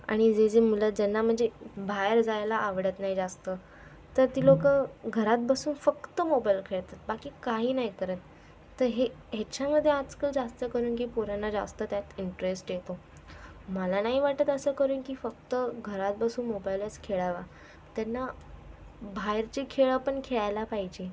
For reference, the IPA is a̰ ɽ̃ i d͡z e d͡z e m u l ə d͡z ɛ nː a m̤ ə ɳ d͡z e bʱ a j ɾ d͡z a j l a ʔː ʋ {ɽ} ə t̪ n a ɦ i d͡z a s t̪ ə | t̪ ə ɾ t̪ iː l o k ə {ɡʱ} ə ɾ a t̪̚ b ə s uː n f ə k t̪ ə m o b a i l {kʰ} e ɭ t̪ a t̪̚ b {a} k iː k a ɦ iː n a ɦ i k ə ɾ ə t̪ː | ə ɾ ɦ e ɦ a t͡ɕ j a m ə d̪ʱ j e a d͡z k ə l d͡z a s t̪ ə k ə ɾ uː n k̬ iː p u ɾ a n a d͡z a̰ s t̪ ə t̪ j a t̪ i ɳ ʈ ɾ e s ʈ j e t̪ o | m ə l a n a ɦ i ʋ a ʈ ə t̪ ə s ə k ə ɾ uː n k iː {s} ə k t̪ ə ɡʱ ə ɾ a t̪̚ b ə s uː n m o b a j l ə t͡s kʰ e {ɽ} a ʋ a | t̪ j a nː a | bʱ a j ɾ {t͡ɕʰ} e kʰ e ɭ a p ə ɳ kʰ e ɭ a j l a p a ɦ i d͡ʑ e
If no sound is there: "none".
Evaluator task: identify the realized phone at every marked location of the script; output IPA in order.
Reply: ɽ, ɡʱ, kʰ, a, f, ɭ, t͡ɕ

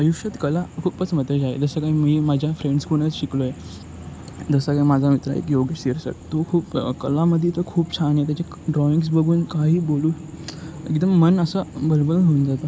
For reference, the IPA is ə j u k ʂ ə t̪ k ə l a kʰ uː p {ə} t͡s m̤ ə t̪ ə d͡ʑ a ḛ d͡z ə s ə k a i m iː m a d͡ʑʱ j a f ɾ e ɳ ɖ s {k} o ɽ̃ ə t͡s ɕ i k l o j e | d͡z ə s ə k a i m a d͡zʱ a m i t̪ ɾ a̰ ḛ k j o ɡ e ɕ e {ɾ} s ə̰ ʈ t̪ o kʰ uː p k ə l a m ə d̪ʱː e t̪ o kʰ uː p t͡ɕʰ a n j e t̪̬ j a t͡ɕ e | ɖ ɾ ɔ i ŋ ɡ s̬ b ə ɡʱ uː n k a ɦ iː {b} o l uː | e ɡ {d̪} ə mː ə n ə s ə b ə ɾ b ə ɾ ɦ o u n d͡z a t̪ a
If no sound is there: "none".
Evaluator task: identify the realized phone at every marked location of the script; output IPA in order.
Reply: ə, k, ɾ, b, d̪

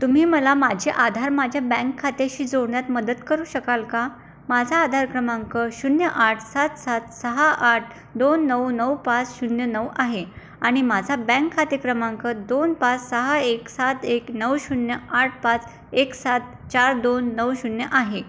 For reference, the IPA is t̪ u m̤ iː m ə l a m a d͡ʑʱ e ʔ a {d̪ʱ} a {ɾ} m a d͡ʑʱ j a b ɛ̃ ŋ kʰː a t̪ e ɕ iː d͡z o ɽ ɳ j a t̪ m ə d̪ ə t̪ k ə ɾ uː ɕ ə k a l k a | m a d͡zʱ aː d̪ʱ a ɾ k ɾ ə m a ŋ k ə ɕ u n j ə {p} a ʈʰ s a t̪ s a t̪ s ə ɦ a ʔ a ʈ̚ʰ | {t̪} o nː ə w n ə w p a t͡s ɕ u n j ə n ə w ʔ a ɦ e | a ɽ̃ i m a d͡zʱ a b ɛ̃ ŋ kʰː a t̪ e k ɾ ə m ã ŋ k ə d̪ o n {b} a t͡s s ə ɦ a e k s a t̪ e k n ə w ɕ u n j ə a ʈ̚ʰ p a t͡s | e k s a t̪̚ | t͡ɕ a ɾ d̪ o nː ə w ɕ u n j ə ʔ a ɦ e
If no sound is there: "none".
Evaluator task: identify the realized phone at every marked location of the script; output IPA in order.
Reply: d̪ʱ, ɾ, ʔ, d̪, p

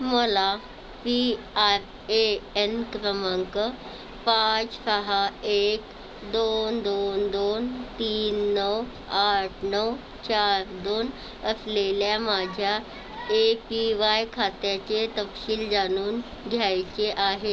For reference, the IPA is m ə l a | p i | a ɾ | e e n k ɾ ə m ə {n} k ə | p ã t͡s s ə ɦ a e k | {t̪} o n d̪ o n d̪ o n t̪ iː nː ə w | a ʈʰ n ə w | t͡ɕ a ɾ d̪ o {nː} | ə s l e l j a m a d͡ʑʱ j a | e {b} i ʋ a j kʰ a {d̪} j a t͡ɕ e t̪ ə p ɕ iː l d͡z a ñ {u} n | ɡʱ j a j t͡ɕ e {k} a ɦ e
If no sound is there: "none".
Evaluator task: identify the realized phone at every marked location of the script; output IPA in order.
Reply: ŋ, d̪, n, p, t̪, uː, ʔ

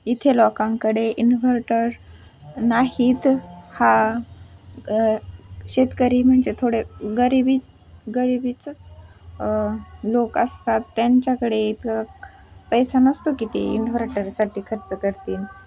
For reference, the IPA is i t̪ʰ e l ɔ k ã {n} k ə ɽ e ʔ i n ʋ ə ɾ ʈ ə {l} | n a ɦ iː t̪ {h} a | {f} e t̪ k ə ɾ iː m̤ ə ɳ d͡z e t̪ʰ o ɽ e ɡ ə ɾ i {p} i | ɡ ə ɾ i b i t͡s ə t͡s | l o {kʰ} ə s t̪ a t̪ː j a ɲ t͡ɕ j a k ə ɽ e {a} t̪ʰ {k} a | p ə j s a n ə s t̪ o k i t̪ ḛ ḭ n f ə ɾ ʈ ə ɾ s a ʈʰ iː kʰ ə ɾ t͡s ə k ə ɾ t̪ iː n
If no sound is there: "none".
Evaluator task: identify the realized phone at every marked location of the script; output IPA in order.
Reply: ŋ, ɾ, h, ɕ, b, k, i, k

